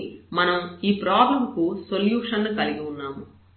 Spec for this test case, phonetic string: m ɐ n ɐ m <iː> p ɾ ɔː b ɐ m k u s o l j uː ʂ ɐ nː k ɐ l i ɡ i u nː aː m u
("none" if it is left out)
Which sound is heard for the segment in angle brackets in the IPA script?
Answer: iː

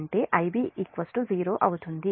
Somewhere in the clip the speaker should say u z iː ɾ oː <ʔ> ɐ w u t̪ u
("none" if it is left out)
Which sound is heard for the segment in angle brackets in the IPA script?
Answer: ʔ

